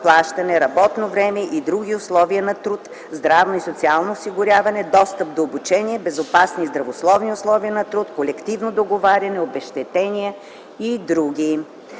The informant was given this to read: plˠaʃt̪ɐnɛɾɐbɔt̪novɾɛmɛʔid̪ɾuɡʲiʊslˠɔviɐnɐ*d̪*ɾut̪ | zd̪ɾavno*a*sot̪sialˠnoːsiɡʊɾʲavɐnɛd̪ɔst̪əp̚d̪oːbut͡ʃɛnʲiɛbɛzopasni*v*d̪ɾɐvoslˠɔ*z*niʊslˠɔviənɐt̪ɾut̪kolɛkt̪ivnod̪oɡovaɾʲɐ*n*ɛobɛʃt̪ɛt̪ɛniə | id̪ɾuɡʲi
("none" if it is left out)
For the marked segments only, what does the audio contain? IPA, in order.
t̪, i, z, v, n

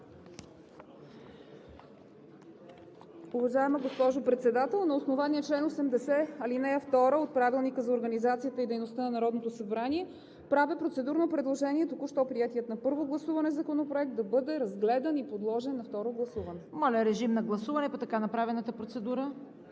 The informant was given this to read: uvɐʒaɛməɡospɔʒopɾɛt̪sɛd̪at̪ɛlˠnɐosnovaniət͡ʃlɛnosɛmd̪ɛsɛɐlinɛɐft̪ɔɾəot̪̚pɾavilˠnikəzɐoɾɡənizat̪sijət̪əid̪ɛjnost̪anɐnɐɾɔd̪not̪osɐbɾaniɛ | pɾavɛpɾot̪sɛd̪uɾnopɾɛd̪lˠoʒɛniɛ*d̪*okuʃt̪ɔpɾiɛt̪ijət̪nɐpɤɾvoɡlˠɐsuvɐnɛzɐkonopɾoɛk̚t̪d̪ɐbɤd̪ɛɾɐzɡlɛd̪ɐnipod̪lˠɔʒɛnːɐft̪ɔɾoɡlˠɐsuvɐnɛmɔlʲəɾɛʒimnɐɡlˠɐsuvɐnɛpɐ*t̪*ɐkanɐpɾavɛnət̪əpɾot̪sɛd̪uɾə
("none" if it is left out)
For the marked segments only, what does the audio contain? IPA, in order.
t̪, t̪

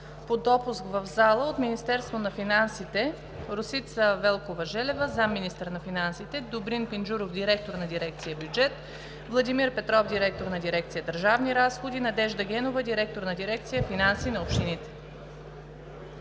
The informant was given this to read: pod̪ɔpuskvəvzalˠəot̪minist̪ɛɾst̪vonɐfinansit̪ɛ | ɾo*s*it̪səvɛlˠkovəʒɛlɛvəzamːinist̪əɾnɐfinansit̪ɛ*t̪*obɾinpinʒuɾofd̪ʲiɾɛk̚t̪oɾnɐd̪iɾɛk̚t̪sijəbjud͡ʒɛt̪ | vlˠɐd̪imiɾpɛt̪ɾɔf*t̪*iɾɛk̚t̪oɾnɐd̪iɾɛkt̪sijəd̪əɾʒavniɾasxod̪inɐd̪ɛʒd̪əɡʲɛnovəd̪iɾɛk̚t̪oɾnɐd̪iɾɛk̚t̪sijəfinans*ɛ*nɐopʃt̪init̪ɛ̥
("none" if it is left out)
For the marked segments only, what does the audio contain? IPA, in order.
s, d̪, d̪, i

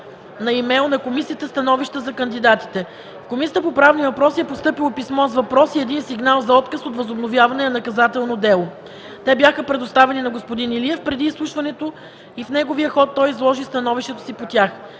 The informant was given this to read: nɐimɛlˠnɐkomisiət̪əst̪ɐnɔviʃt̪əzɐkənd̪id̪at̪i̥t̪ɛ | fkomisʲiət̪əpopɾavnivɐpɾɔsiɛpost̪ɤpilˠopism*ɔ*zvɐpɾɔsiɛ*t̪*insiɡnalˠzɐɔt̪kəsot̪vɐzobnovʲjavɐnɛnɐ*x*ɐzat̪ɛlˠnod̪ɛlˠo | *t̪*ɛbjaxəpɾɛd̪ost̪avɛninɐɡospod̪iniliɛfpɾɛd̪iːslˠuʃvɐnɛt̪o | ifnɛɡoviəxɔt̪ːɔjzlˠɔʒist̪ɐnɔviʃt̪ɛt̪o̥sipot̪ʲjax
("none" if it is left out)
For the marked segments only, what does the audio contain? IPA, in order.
ɔ, d̪, k, t̪

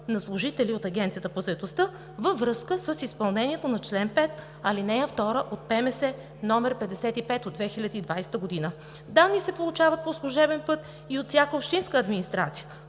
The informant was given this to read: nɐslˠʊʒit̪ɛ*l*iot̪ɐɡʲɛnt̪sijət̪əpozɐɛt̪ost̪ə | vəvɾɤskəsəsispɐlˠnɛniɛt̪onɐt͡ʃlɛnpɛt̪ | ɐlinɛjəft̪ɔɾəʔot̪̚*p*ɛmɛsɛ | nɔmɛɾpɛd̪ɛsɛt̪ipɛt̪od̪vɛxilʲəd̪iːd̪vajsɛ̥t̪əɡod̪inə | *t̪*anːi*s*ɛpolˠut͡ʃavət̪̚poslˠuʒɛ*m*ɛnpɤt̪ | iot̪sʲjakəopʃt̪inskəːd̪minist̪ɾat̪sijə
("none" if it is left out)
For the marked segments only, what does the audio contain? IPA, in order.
l, p, d̪, s, b

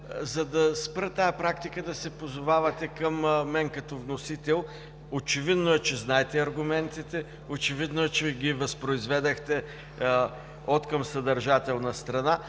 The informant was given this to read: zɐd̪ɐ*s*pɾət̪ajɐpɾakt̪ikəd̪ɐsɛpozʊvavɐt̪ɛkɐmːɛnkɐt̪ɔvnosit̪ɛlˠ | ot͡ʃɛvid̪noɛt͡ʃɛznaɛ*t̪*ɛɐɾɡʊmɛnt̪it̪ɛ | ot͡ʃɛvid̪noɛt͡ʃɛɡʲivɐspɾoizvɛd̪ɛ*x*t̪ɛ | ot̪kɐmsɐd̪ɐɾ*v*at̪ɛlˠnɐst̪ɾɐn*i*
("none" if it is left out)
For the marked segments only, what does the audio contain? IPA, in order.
s, t̪, x, ʒ, a

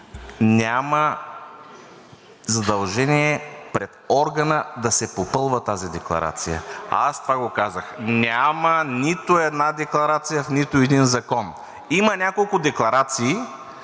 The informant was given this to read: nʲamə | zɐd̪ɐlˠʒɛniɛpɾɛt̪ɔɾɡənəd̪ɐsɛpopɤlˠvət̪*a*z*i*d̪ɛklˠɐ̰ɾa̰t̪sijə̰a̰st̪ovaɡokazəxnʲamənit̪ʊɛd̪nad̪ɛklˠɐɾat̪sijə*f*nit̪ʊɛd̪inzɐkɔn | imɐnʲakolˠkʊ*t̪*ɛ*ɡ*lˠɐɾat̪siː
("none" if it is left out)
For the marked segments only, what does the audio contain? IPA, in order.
a, i, f, d̪, k

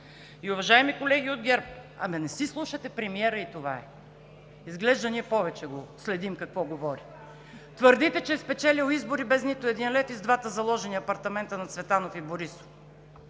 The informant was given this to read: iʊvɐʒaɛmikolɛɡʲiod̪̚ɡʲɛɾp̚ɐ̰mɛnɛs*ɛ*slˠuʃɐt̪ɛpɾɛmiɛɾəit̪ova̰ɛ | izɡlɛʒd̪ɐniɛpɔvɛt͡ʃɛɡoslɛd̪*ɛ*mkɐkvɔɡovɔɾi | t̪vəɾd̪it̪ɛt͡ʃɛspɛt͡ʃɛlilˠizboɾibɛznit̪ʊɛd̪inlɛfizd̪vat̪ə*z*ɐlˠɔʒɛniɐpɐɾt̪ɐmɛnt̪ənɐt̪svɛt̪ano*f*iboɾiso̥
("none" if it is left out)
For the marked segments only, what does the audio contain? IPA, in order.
i, i, z, f

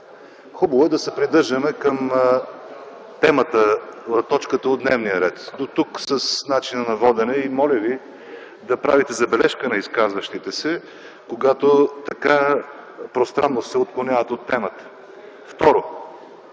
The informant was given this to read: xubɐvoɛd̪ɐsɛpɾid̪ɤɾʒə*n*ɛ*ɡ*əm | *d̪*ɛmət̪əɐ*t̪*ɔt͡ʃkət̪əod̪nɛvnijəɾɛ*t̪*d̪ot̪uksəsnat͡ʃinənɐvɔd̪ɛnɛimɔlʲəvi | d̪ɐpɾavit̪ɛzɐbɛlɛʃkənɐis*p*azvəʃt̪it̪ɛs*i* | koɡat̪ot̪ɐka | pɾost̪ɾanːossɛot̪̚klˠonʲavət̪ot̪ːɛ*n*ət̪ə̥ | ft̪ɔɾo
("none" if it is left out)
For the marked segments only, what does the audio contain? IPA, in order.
m, k, t̪, t̪, t̪, k, ɛ, m

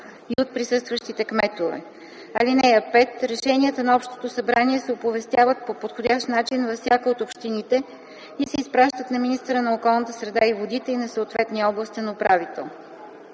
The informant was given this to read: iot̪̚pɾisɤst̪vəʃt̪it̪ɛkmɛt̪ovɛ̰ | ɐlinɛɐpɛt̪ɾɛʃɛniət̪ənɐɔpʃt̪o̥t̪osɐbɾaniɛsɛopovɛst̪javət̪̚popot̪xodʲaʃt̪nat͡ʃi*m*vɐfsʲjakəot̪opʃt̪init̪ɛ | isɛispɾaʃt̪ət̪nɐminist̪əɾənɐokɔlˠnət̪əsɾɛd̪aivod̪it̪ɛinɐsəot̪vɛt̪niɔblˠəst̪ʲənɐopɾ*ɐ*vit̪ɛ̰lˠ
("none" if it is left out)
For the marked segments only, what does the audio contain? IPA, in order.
n, a

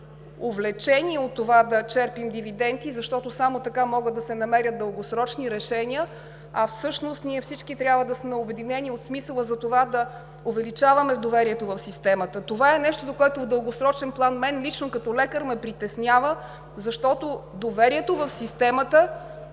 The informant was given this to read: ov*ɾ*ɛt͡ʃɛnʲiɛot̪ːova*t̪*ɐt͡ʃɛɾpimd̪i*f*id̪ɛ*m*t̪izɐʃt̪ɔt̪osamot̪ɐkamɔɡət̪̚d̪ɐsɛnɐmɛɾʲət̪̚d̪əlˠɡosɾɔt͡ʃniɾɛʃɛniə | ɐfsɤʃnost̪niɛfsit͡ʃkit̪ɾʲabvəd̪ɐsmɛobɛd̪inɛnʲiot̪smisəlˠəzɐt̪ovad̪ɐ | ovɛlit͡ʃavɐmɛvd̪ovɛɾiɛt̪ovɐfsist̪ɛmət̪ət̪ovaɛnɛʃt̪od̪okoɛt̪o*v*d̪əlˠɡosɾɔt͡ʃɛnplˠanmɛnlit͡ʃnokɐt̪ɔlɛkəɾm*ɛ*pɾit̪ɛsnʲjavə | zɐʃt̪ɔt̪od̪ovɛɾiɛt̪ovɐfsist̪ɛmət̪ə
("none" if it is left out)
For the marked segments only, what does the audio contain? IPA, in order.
l, d̪, v, n, v, ɛ

